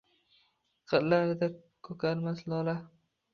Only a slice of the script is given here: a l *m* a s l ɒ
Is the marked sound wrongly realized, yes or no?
no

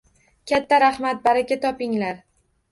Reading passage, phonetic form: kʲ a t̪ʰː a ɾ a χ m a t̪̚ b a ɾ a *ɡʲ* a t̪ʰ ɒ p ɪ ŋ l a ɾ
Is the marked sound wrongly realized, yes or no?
yes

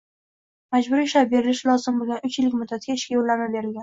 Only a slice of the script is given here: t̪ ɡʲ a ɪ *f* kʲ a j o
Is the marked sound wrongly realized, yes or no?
yes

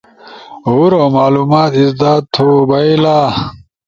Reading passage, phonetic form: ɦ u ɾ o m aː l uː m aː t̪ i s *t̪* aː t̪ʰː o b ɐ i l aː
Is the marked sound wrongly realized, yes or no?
yes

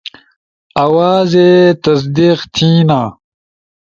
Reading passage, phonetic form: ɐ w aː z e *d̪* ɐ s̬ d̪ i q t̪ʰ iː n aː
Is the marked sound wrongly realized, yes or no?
yes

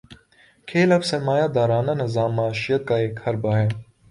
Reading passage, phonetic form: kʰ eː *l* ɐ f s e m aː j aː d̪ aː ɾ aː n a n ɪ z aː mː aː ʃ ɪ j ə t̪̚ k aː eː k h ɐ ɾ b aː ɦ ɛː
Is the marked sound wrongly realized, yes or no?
no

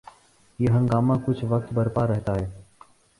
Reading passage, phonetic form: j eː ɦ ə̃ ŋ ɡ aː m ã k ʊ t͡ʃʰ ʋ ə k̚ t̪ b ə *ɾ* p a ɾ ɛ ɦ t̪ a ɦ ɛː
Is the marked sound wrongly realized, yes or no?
no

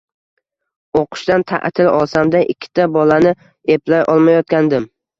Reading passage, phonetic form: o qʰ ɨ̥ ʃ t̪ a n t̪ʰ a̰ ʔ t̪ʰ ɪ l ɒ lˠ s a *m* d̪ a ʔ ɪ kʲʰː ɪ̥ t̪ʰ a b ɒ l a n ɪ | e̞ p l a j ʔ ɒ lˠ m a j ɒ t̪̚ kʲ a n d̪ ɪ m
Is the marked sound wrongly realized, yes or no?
no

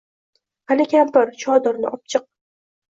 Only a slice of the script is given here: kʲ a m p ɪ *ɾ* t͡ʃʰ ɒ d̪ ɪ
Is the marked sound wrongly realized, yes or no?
no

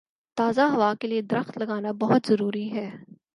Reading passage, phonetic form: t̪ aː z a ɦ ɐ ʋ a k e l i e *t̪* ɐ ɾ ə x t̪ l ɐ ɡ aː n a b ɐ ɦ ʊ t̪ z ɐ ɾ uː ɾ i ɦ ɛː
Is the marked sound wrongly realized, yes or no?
yes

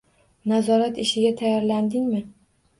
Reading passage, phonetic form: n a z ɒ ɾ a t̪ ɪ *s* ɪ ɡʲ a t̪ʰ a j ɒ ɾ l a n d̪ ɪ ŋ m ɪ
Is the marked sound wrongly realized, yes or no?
yes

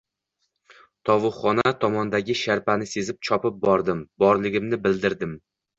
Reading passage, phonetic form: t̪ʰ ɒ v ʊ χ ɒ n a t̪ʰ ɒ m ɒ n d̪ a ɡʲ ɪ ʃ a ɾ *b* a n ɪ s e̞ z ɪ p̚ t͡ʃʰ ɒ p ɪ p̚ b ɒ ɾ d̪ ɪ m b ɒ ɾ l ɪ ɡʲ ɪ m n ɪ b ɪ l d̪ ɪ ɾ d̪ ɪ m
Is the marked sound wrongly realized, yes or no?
yes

